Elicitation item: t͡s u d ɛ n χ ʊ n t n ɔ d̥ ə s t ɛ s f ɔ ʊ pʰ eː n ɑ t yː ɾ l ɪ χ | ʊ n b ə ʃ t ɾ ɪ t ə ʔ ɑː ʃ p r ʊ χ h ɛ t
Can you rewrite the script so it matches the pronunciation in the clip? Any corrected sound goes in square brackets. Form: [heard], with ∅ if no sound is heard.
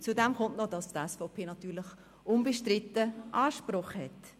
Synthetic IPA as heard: t͡s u d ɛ [m] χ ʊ n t n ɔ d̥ [ɑ] s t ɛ s f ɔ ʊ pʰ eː n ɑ t yː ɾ l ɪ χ | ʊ n b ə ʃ t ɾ ɪ t ə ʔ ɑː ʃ p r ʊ χ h ɛ t

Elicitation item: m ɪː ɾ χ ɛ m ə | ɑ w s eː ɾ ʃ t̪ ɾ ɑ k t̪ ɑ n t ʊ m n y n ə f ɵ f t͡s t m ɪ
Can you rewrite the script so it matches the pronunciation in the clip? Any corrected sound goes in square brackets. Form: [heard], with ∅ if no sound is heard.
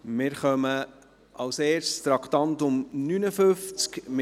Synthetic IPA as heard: m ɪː ɾ χ [œ] m ə | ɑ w s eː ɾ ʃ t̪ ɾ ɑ k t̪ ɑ n t ʊ m n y n ə f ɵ f t͡s [k] m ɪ

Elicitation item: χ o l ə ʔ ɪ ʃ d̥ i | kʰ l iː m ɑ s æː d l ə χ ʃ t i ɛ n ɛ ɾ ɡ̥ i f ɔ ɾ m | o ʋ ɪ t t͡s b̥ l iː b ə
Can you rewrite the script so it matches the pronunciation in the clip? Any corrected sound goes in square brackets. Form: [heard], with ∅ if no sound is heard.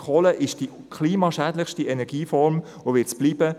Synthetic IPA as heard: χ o l ə ʔ ɪ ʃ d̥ i | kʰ l iː m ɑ [ʃ] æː d l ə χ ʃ t i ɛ n ɛ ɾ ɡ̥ [iː] f ɔ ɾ m | o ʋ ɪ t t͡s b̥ l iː b ə

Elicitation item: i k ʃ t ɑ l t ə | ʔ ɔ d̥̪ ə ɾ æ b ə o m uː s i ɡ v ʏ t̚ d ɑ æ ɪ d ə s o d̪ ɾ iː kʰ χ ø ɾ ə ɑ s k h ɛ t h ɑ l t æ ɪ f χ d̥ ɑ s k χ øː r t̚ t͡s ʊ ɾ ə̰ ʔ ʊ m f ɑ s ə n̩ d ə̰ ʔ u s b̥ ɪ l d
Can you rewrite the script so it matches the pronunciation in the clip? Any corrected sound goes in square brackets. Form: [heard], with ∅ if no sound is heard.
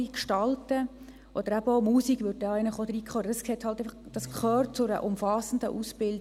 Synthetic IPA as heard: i k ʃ t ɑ l t ə | ʔ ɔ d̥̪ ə ɾ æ b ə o m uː s i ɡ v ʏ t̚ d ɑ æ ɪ [n] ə [χ] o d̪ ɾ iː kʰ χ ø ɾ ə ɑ s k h ɛ t h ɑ l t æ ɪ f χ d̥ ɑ s k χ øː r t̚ t͡s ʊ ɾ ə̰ ʔ ʊ m f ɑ s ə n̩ d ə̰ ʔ u s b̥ ɪ l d

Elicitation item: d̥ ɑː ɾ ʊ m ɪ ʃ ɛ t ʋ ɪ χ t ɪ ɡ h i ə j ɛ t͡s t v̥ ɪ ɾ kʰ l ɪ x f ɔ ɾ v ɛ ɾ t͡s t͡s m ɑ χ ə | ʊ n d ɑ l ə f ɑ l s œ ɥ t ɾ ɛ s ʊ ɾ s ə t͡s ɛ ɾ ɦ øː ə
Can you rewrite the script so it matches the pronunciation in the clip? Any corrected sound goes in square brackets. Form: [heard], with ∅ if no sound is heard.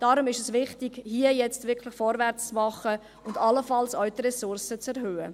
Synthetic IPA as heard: d̥ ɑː ɾ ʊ m ɪ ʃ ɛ [s] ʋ ɪ χ t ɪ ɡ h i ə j ɛ t͡s t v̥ ɪ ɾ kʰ l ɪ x f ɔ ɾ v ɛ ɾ t͡s t͡s m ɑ χ ə | ʊ n d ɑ l ə f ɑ l s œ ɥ t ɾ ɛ s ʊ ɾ s ə t͡s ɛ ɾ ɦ øː ə

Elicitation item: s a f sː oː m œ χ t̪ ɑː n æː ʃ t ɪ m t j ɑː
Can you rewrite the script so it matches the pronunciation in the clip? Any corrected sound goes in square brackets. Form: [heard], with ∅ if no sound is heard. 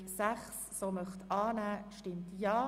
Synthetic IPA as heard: s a [χ] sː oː m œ χ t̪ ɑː n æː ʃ t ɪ m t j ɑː

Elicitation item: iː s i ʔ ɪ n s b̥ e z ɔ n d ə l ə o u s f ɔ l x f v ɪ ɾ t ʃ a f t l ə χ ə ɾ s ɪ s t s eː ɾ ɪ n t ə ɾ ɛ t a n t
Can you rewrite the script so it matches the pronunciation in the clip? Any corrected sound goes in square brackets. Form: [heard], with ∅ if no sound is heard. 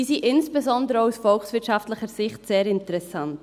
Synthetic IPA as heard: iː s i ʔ ɪ n s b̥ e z ɔ n d ə [ɾ] ə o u s f ɔ l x [s] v ɪ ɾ t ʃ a f t l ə χ ə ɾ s ɪ [χ] t s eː ɾ ɪ n t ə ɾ ɛ [s] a n t

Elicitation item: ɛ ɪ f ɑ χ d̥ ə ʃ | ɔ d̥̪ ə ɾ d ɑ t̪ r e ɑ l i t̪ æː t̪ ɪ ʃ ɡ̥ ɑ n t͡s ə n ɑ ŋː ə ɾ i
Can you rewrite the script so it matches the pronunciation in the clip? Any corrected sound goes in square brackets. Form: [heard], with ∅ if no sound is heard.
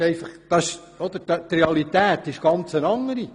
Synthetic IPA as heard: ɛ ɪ f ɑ χ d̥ [ɑ] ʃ | ɔ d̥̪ ə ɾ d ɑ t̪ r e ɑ l i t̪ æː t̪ ɪ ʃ ɡ̥ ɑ n t͡s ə n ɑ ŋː ə ɾ i

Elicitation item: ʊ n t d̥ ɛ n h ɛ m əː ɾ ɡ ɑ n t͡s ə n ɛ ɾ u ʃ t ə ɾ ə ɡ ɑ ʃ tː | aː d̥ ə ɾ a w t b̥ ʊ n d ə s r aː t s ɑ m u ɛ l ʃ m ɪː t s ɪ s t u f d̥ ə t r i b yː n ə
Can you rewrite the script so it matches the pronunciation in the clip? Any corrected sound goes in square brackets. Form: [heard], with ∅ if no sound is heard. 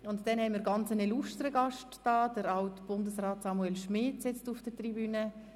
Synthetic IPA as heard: ʊ n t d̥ ɛ n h ɛ m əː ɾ ɡ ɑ n t͡s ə n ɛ [l] u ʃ t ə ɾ ə ɡ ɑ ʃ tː | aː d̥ ə ɾ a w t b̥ ʊ n d ə s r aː t s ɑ m u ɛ l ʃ m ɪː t s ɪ [t͡s] t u f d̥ ə t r i b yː n ə

